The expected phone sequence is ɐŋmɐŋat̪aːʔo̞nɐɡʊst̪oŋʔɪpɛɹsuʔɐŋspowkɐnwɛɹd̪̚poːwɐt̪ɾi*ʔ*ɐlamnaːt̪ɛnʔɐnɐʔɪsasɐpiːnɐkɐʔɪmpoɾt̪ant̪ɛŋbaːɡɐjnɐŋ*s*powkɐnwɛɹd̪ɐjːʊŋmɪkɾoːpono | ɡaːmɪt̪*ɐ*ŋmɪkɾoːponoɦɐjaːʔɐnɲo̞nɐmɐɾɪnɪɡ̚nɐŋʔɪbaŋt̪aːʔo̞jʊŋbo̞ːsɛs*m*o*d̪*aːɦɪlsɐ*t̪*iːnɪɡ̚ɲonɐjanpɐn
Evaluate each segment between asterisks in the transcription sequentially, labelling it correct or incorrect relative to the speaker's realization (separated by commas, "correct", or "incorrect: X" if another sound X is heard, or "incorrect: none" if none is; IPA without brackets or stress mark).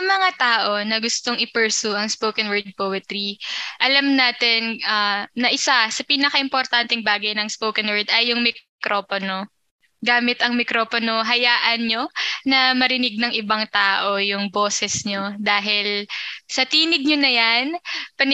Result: correct, correct, correct, incorrect: ɲ, correct, correct